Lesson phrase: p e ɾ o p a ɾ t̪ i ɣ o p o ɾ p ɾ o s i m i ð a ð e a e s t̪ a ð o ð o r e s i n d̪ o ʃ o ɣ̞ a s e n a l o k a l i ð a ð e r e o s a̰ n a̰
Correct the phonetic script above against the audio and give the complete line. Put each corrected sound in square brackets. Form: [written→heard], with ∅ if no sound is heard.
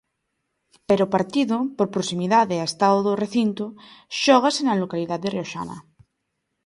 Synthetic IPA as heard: p e ɾ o p a ɾ t̪ i [ɣ→ð] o p o ɾ p ɾ o s i m i ð a ð e a e s t̪ a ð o ð o r e [s→θ] i n [d̪→t̪] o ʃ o ɣ̞ a s e n a l o k a l i ð a ð e r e o [s→ʃ] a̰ n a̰